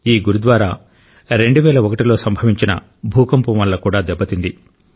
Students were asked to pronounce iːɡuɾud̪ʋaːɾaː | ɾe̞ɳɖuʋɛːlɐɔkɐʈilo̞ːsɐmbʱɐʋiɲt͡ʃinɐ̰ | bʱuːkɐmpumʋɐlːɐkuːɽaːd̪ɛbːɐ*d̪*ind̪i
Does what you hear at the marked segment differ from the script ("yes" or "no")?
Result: yes